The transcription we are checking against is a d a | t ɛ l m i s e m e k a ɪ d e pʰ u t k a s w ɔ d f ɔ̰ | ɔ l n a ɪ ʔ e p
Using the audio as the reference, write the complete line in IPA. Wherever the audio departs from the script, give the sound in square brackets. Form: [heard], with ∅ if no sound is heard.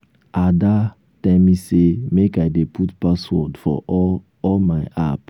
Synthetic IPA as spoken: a d a | t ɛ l m i s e m e k a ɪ d e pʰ u t [p] a s w ɔ d f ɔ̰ | ɔ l [m] a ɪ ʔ [a] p